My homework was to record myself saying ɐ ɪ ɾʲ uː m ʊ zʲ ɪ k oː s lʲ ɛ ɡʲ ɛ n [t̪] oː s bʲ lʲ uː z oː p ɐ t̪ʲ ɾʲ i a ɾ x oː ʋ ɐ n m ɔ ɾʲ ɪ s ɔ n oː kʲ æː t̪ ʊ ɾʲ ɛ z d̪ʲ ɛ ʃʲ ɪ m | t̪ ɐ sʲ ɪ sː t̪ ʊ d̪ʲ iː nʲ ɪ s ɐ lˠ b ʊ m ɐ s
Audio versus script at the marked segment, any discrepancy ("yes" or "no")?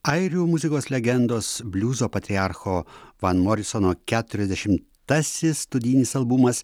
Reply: yes